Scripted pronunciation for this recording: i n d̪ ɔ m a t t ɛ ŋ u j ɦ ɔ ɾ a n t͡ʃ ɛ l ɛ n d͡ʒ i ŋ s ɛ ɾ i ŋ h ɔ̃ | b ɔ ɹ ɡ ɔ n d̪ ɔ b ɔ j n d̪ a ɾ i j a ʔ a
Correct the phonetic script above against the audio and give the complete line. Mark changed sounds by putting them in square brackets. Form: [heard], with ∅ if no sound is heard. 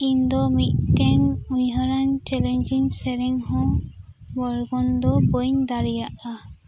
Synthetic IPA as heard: i n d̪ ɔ m [i] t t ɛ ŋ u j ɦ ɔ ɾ a n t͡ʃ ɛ l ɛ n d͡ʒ i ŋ s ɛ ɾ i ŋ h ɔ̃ | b ɔ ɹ ɡ ɔ n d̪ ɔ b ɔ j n d̪ a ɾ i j a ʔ a